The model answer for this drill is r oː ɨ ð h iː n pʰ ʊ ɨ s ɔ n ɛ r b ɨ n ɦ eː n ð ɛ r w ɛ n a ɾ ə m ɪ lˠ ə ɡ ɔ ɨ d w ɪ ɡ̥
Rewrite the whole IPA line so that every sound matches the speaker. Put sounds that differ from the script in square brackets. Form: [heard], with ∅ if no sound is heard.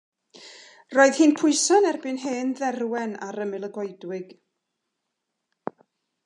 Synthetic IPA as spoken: r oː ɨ ð h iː n pʰ ʊ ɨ s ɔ n ɛ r b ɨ n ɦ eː n ð ɛ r w ɛ n a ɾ ə m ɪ lˠ ə ɡ ɔ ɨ d w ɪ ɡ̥